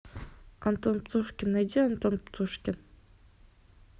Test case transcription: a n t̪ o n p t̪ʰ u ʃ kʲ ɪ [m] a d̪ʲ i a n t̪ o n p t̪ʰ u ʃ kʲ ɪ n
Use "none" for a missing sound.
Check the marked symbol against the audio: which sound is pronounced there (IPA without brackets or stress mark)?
n